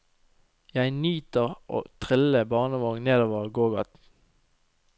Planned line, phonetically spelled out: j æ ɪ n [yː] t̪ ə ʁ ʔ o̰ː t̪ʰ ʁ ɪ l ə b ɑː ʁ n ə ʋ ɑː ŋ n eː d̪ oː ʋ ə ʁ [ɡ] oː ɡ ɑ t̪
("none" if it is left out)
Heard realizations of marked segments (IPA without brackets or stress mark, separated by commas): yː, ɡ